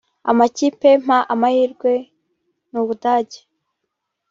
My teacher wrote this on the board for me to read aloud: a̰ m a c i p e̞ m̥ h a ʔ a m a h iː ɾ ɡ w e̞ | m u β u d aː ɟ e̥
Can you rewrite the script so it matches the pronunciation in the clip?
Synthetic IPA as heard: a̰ m a c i p e̞ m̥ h a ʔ a m a h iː ɾ ɡ w e̞ | n u β u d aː ɟ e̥